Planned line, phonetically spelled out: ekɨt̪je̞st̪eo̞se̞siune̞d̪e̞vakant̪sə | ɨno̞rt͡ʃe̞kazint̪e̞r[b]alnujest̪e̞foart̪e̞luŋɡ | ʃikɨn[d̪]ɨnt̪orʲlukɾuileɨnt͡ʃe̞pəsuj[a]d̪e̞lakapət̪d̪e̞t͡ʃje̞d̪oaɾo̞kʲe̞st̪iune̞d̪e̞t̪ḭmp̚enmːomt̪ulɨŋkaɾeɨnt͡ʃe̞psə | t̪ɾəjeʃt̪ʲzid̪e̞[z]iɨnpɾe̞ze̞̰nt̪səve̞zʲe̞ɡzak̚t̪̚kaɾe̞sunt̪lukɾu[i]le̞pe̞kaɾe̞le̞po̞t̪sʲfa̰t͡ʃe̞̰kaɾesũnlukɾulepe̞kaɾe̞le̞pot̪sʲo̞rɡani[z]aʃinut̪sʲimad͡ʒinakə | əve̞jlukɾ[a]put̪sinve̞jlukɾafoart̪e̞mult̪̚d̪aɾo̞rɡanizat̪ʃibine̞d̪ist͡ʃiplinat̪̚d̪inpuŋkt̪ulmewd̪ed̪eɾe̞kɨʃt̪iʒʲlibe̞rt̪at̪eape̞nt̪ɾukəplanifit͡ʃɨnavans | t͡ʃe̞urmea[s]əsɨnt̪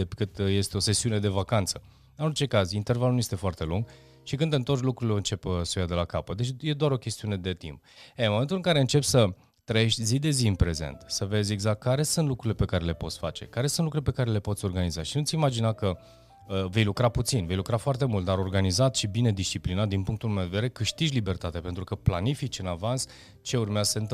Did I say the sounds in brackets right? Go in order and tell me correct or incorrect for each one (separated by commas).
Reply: incorrect, correct, correct, correct, correct, correct, correct, incorrect